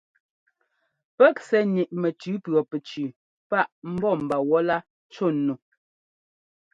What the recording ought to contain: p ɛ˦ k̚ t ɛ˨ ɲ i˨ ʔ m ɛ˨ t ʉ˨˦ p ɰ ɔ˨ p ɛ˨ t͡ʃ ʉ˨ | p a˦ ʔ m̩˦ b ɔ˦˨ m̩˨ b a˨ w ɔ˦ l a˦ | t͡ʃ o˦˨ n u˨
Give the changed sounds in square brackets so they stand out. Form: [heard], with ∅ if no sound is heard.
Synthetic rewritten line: p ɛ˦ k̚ [s] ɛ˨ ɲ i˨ ʔ m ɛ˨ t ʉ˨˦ p ɰ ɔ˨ p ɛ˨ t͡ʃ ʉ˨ | p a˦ ʔ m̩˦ b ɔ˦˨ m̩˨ b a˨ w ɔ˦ l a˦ | t͡ʃ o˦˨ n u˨